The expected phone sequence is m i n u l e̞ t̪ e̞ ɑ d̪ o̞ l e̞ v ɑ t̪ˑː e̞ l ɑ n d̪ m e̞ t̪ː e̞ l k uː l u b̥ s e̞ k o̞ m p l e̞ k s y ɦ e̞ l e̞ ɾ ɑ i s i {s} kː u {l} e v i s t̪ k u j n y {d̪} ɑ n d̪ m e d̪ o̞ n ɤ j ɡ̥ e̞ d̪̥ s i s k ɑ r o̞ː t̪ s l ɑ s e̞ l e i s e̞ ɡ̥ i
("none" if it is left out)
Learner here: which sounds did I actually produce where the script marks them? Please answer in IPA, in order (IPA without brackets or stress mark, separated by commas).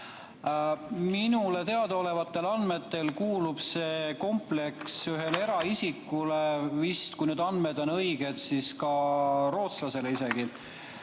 none, l, d̪